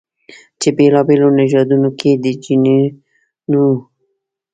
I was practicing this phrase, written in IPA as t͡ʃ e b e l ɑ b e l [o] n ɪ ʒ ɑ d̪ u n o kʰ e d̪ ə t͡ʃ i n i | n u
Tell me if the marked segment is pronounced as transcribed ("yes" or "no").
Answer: yes